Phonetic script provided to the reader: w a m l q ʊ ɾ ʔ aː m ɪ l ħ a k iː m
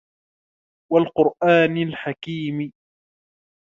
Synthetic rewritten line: w a l q ʊ ɾ ʔ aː n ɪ l ħ a k iː m